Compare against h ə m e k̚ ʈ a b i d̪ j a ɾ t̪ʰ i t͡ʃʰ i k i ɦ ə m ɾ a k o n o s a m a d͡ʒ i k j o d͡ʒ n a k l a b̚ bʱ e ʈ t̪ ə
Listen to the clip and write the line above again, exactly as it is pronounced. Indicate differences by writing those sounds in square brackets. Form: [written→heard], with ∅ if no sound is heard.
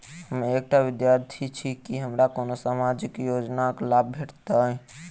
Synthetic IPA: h ə m e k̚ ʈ a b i d̪ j a ɾ t̪ʰ i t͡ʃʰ i k i ɦ ə m ɾ a k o n o s a m a d͡ʒ i k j o d͡ʒ n a k l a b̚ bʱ e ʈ t̪ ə